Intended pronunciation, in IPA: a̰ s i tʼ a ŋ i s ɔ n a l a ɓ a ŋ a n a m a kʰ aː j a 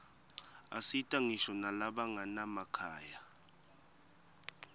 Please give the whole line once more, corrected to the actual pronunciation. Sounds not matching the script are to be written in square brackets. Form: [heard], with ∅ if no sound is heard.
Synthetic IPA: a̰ s i tʼ a ŋ i [ʃ] ɔ n a l a ɓ a ŋ a n a m a kʰ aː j a